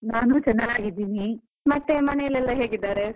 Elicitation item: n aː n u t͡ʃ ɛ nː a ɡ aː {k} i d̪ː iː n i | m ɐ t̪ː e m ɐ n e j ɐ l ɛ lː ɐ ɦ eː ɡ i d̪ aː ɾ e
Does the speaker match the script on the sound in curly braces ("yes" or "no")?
no